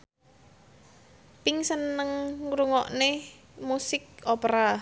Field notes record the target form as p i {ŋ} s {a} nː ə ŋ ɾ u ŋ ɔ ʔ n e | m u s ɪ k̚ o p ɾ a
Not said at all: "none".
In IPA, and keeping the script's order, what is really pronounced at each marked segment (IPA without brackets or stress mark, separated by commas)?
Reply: ŋ, ə